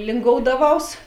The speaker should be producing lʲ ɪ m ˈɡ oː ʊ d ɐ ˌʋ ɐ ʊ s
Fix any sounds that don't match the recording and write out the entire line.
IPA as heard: lʲ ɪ ŋ ˈɡ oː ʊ d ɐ ˌʋ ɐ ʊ s